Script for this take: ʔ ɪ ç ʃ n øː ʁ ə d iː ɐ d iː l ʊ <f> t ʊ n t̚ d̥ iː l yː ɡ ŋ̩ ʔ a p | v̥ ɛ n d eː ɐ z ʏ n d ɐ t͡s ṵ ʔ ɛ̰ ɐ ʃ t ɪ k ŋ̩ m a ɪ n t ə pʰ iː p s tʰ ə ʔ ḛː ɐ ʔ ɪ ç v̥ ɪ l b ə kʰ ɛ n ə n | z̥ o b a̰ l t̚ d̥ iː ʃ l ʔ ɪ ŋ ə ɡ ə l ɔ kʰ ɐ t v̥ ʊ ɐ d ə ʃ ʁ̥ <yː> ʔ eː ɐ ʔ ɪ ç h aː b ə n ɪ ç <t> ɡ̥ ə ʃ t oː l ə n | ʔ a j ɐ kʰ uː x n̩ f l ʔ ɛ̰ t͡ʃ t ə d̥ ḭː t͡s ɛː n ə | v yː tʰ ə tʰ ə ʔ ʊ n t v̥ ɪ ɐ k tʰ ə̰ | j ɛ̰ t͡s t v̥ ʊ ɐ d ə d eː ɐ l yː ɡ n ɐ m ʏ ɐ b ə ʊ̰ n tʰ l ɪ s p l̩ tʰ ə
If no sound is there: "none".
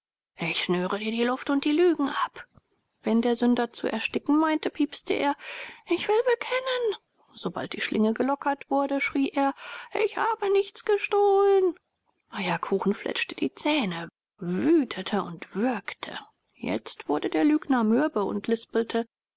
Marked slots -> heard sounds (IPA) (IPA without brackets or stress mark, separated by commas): f, iː, t͡s